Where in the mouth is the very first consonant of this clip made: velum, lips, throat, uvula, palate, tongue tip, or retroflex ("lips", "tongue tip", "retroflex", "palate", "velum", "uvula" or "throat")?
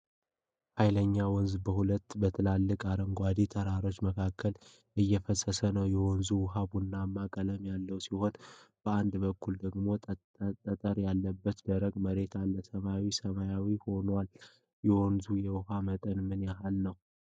throat